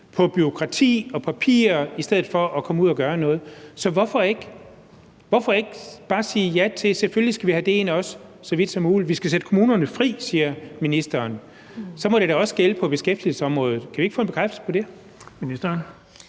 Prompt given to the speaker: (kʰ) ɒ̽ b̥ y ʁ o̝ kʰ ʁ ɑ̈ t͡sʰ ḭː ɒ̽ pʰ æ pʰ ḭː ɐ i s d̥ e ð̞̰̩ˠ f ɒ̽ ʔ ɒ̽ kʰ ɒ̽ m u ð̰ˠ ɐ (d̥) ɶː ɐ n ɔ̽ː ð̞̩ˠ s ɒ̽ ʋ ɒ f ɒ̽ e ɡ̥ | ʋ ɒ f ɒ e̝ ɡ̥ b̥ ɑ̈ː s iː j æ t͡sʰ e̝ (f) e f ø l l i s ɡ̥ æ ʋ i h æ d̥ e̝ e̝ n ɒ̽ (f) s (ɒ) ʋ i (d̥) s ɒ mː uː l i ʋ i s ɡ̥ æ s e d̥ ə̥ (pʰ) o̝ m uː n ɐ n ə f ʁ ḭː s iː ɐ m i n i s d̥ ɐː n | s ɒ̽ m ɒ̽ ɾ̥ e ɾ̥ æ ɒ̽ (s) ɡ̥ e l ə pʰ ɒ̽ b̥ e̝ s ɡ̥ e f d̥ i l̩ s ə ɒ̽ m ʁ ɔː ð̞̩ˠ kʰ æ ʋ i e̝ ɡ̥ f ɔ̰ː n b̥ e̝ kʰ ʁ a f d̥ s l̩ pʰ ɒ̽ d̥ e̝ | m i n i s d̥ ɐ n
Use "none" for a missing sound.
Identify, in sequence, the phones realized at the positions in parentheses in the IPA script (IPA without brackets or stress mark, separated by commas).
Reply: pʰ, ɡ̥, s, s, ɒ, d̥, kʰ, s